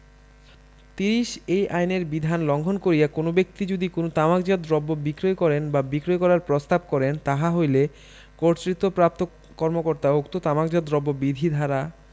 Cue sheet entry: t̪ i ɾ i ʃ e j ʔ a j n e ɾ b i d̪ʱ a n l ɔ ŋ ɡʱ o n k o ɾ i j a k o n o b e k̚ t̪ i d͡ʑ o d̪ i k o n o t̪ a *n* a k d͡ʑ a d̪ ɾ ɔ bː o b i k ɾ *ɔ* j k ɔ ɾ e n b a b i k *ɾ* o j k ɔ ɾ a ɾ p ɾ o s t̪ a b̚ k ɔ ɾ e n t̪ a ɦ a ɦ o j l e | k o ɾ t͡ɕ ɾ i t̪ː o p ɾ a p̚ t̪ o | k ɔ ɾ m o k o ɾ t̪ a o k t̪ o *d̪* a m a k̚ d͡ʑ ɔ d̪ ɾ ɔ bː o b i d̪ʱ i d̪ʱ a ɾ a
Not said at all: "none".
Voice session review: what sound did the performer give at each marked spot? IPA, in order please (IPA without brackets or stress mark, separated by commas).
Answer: m, o, ɾ, t̪